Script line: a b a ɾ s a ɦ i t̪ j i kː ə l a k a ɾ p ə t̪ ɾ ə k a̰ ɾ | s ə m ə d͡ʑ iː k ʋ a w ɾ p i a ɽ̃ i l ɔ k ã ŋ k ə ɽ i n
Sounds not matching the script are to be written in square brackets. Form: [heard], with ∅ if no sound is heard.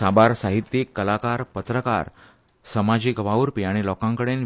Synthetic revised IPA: a b a ɾ s a ɦ i t̪ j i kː ə l a k a ɾ p ə t̪ ɾ ə k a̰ ɾ | s ə m [a] d͡ʑ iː k ʋ a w ɾ p i a ɽ̃ i l ɔ k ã ŋ k ə ɽ [e] n